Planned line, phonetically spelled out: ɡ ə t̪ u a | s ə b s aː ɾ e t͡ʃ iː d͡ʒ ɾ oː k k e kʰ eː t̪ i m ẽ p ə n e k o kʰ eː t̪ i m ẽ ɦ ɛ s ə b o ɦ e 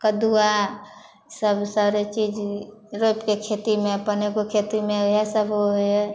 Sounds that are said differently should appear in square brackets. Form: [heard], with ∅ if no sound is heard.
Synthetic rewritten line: [k] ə [d̪] u a | s ə b s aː ɾ e t͡ʃ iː d͡ʒ ɾ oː [p] k e kʰ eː t̪ i m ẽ p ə n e k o kʰ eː t̪ i m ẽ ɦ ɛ s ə b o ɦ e

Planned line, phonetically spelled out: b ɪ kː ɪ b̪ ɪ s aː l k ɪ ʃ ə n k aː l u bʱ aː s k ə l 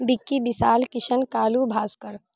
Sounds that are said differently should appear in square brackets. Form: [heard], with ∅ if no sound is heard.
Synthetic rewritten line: b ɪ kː [i] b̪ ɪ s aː l k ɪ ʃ ə n k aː l u bʱ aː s k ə [ɾ]

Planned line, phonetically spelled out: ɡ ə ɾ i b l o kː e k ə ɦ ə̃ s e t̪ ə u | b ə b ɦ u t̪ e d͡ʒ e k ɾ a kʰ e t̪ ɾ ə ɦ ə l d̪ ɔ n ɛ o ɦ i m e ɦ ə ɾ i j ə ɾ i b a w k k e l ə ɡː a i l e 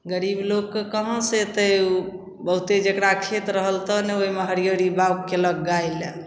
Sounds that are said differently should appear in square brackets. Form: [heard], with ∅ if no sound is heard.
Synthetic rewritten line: ɡ ə ɾ i b l o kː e k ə ɦ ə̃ s e t̪ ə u | b ə [∅] ɦ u t̪ e d͡ʒ e k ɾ a kʰ e t̪ ɾ ə ɦ ə l [t̪] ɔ n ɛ o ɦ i m e ɦ ə ɾ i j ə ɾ i b a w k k e l ə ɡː a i l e

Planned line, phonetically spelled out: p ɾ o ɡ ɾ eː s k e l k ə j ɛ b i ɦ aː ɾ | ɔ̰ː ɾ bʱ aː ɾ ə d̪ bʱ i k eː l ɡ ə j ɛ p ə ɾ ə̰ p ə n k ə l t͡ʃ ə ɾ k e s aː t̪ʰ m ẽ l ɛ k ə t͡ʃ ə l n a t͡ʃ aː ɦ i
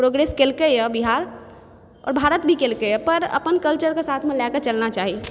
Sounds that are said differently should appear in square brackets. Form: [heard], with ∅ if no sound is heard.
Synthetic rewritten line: p ɾ o ɡ ɾ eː s k e l k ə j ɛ b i ɦ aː ɾ | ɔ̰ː ɾ bʱ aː ɾ ə [t̪] bʱ i k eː l [k] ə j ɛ p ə ɾ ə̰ p ə n k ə l t͡ʃ ə ɾ k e s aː t̪ʰ m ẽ l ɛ k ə t͡ʃ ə l n a t͡ʃ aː ɦ i

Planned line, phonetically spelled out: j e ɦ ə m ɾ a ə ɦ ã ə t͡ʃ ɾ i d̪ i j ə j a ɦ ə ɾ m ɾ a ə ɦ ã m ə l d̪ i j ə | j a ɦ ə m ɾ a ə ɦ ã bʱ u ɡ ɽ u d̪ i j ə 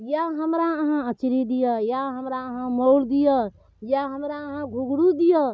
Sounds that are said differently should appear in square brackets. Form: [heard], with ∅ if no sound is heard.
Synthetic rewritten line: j [a] ɦ ə m ɾ a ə ɦ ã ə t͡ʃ ɾ i d̪ i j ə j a ɦ ə [∅] m ɾ a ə ɦ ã m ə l d̪ i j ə | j a ɦ ə m ɾ a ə ɦ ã [ɡʱ] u ɡ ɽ u d̪ i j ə

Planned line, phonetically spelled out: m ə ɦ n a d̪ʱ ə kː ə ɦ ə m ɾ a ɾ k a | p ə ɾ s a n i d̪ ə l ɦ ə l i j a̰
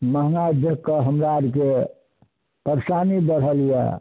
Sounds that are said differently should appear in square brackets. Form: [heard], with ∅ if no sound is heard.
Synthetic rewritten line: m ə ɦ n a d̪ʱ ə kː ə ɦ ə m ɾ a ɾ k [e] | p ə ɾ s a n i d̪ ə [ɾ] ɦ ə l i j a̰

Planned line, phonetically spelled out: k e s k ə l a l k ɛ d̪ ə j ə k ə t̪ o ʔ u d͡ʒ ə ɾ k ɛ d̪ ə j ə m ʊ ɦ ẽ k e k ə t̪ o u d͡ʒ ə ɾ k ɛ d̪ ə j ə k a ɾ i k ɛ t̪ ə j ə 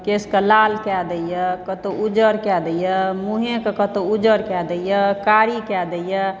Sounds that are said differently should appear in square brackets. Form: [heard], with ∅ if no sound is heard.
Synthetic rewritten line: k e s k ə l a l k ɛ d̪ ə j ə k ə t̪ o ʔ u d͡ʒ ə ɾ k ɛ d̪ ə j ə m [u] ɦ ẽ k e k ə t̪ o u d͡ʒ ə ɾ k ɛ d̪ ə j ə k a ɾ i k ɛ [d̪] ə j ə

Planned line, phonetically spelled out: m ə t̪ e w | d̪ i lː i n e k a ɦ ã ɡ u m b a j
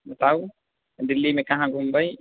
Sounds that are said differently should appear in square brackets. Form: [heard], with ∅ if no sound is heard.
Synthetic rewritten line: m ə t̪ [a] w | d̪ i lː i [m] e k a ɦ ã ɡ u m b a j

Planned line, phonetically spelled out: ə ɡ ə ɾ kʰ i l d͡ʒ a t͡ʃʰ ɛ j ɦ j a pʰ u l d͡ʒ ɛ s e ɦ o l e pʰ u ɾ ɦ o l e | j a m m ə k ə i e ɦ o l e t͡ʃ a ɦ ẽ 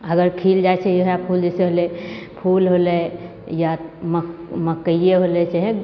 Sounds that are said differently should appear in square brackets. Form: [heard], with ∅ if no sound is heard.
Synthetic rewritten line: ə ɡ ə ɾ kʰ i l d͡ʒ a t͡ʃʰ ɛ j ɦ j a pʰ u l d͡ʒ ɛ s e ɦ o l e pʰ u [l] ɦ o l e | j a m m ə k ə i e ɦ o l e t͡ʃ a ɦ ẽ

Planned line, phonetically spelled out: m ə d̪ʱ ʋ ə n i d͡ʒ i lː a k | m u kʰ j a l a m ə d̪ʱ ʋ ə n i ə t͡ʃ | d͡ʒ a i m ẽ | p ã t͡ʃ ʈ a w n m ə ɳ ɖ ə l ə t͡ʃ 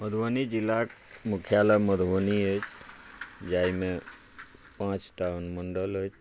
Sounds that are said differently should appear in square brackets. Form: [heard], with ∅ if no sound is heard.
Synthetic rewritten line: m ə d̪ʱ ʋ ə n i d͡ʒ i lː a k | m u kʰ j a l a m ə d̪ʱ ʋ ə n i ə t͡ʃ | d͡ʒ a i m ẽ | p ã t͡ʃ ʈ a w n m ə ɳ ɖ ə l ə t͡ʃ

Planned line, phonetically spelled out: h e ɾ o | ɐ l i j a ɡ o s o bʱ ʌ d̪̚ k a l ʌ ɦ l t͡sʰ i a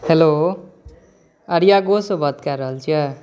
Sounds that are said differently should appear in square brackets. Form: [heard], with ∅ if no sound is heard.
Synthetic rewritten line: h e [l] o | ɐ [ɾ] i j a ɡ o s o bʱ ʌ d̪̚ k a [ɾ] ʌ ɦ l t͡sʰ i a

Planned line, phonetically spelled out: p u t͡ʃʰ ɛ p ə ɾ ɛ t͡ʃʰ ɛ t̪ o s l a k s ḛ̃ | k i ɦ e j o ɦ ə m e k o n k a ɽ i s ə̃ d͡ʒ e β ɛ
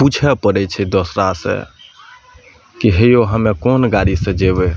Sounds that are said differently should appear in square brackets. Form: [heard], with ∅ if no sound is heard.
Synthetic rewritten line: p u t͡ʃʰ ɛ p ə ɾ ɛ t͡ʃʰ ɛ [d̪] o s [ɾ] a [∅] s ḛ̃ | k i ɦ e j o ɦ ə m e k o n [ɡ] a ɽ i s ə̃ d͡ʒ e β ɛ

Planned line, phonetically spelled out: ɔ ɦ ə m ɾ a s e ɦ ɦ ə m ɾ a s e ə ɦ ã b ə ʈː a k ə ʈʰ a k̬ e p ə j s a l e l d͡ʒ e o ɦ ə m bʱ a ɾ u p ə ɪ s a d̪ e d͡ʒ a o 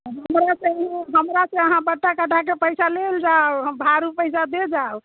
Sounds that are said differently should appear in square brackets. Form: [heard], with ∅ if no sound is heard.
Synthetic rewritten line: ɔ ɦ ə m ɾ a s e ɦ ɦ ə m ɾ a s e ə ɦ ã b ə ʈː a k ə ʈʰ a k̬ e p ə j s a l e l d͡ʒ [a] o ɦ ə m bʱ a ɾ u p ə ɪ s a d̪ e d͡ʒ a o

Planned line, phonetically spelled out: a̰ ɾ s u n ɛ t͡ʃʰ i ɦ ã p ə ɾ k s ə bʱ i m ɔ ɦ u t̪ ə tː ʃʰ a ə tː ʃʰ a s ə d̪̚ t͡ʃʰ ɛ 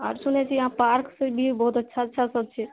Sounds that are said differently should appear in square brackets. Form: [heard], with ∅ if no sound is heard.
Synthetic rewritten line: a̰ ɾ s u n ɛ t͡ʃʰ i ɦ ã p [a] ɾ k s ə bʱ i [b] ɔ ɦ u t̪ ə tː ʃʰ a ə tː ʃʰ a s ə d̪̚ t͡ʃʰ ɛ

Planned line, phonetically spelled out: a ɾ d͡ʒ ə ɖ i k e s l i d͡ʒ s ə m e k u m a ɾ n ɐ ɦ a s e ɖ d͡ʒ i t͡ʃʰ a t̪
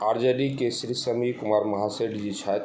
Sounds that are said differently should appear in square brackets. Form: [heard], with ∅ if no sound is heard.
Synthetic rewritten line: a ɾ d͡ʒ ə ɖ i k e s [ɾ] i [∅] s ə m [i] k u m a ɾ [m] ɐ ɦ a s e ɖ d͡ʒ i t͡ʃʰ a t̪

